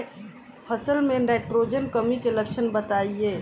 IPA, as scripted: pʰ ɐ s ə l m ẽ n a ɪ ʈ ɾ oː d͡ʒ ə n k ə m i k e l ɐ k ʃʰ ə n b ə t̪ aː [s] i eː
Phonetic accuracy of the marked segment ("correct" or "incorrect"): incorrect